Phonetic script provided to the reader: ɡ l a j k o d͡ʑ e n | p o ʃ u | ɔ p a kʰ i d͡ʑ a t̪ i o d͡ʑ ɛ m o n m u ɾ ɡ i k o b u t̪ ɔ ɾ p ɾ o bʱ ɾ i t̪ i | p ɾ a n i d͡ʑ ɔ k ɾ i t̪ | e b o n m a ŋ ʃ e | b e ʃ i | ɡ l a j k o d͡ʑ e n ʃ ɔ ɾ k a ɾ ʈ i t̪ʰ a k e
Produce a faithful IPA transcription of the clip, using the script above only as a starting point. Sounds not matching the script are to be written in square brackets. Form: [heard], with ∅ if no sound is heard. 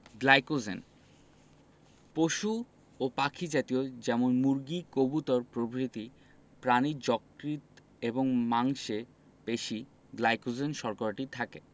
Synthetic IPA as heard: ɡ l a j k o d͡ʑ e n | p o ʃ u | [o] p a kʰ i d͡ʑ a t̪ i o d͡ʑ ɛ m o n m u ɾ ɡ i k o b u t̪ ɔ ɾ p ɾ o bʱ ɾ i t̪ i | p ɾ a n i d͡ʑ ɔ k ɾ i t̪ | e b o [ŋ] m a ŋ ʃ e | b e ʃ i | ɡ l a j k o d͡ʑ e n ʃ ɔ ɾ k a ɾ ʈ i t̪ʰ a k e